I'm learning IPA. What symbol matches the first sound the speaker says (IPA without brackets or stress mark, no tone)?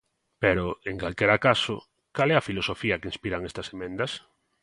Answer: p